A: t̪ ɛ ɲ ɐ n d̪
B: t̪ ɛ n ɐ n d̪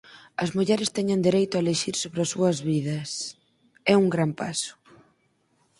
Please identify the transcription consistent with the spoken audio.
A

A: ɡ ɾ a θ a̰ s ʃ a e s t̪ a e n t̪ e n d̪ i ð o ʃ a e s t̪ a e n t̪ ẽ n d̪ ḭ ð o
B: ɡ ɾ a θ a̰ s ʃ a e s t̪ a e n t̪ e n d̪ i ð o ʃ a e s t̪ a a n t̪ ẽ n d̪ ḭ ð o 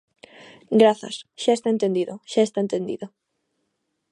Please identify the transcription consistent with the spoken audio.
A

